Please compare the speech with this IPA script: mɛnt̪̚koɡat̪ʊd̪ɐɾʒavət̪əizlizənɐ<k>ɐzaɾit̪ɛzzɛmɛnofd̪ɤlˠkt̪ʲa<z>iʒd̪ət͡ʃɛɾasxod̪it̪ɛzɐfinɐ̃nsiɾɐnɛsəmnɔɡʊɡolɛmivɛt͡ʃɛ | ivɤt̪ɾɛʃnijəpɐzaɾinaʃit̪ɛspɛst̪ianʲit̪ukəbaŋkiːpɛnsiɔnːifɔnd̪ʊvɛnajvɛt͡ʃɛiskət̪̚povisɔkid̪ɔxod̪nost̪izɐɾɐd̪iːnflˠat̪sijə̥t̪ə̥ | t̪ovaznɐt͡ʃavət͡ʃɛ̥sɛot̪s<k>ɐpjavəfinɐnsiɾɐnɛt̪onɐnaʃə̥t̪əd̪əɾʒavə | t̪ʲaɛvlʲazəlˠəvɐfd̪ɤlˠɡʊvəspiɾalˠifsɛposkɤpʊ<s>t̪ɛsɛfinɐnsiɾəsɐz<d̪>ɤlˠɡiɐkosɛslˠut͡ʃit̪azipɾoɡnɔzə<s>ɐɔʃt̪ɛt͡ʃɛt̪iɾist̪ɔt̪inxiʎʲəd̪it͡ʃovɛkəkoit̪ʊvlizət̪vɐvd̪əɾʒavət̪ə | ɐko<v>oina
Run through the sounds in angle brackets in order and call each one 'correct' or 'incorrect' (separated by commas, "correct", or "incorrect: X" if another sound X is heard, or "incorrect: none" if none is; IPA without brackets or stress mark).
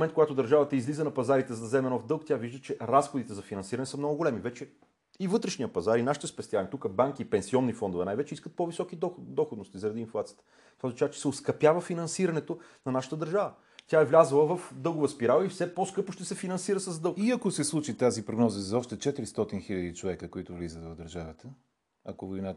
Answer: incorrect: p, incorrect: v, correct, incorrect: ʃ, correct, incorrect: z, correct